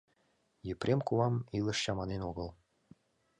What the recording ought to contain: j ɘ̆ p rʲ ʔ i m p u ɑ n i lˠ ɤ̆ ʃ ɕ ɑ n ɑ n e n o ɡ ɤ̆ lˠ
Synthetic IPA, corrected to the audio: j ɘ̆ p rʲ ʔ e m k u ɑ m i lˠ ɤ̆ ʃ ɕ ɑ m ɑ n e n o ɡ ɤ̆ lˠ